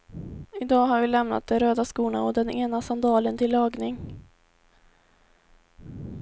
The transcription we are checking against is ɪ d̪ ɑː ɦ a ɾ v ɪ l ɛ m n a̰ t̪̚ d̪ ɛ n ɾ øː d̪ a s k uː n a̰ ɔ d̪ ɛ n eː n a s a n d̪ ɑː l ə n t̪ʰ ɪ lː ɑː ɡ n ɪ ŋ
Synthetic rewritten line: ɪ d̪ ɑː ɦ a ɾ v ɪ l ɛ m n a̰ t̪̚ d̪ ɛ n ɾ øː d̪ a s k uː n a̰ ɔ d̪ ɛ n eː n a s a n d̪ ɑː l ə n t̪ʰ ɪ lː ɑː ɡ n ɪ ŋ